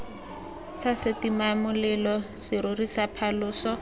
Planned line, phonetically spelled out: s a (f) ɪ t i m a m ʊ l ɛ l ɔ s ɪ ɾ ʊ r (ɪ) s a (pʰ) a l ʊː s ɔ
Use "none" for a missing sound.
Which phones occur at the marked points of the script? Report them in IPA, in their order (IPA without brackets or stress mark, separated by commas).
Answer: s, i, pʰ